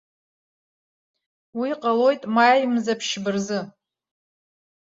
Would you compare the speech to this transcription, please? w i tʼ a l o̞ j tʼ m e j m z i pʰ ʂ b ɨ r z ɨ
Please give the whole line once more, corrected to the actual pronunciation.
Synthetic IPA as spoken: w i qʼ a l o̞ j tʼ m a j m z a pʰ ʃ b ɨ r z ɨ

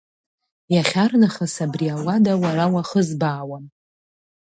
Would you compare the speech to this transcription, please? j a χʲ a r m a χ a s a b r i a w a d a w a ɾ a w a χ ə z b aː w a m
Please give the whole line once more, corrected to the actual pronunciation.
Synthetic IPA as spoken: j a χʲ a r n a χ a s a b r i a w a d a w a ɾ a w a χ ə z b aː w a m

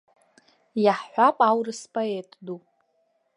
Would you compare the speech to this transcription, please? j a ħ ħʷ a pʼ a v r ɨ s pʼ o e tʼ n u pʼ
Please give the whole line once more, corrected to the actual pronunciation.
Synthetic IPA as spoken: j a ħ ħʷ a pʼ a w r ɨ s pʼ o e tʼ d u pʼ

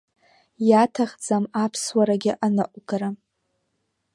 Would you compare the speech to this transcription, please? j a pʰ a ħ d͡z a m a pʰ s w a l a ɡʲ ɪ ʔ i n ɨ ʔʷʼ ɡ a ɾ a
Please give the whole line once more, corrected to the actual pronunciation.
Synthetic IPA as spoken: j a tʰ a χ d͡z a m a pʰ s w a ɾ a ɡʲ ɪ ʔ a n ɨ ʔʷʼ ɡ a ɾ a

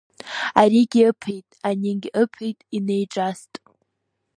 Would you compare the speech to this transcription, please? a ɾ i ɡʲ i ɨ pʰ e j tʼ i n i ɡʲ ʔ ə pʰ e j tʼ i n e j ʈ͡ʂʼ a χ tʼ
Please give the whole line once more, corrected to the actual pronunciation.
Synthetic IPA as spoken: a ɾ i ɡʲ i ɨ pʰ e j tʼ a n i ɡʲ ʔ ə pʰ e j tʼ i n e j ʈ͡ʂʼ a s tʼ

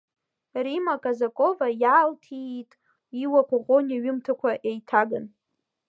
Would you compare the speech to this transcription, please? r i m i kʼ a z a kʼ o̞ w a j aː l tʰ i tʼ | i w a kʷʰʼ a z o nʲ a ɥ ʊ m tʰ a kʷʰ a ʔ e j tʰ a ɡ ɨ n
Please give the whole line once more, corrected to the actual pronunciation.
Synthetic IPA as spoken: r i m a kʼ a z a kʼ o̞ v a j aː l tʰ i tʼ | i w a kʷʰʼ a ʁ o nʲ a ɥ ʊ m tʰ a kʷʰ a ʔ e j tʰ a ɡ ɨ n

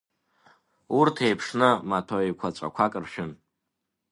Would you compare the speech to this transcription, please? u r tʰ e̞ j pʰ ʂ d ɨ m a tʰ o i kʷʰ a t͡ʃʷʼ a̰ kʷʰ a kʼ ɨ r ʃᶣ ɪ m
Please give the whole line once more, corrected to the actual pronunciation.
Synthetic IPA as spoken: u r tʰ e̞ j pʰ ʂ n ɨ m a tʰ o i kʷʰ a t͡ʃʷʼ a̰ kʷʰ a kʼ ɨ r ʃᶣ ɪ n

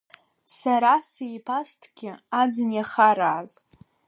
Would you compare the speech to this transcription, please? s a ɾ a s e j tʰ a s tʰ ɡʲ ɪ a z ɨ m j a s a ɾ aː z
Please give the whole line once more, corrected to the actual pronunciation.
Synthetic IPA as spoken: s a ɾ a s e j pʰ a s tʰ ɡʲ ɪ a d͡z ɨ n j a χ a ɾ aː z

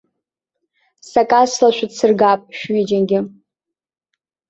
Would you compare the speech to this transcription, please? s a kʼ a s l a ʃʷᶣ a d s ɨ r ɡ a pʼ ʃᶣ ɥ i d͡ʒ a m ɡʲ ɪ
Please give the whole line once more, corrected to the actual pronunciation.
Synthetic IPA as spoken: s a kʼ a s l a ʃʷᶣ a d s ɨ r ɡ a pʼ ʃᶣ ɥ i d͡ʒ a n ɡʲ ɪ

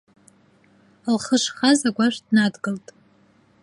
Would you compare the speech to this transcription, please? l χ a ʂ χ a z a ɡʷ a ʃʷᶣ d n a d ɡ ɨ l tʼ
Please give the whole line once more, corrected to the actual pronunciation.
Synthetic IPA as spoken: l χ ə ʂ χ a z a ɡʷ a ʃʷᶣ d n a d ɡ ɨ l tʼ

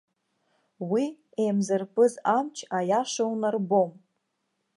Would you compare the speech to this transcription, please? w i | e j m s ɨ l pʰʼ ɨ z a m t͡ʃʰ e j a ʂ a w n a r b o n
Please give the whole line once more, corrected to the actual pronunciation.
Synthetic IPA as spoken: w i | e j m z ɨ r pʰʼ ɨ z a m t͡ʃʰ a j a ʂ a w n a r b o m

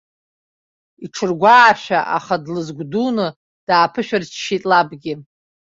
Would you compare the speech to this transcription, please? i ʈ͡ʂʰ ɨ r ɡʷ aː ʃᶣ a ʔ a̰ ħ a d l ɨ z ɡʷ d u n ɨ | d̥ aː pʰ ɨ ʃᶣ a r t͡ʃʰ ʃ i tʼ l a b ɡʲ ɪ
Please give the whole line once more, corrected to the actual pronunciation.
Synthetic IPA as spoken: i ʈ͡ʂʰ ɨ r ɡʷ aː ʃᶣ a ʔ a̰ χ a d l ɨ z ɡʷ d u n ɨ | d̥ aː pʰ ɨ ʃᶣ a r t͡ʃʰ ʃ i tʼ l a b ɡʲ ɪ

